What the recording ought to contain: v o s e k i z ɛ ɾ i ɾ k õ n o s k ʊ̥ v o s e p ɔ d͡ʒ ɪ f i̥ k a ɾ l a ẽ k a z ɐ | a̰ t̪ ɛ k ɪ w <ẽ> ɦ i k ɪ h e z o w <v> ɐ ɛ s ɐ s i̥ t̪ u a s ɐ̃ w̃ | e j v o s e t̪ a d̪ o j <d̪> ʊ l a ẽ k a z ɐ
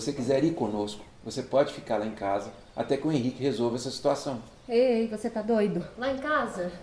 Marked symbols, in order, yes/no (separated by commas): yes, yes, yes